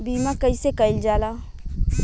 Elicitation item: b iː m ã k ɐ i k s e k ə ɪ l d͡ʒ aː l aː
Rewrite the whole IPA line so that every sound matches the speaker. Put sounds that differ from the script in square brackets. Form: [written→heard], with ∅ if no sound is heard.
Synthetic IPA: b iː m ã k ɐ i [k→∅] s e k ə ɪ l d͡ʒ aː l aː